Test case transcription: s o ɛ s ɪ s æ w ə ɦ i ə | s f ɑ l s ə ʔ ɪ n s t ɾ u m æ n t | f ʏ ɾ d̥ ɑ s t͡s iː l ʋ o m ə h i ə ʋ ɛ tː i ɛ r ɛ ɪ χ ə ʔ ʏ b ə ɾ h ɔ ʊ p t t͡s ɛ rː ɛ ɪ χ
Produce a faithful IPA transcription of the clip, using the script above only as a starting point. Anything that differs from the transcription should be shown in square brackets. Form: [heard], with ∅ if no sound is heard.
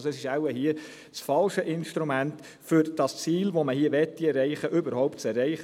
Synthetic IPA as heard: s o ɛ s ɪ [ʃ] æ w ə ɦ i ə | s f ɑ l [ʃ] ə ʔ ɪ n [ʃ] t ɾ u m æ n t | f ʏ ɾ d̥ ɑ s t͡s iː l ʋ o m ə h i ə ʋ ɛ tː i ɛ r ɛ ɪ χ ə ʔ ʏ b ə ɾ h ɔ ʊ p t t͡s ɛ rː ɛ ɪ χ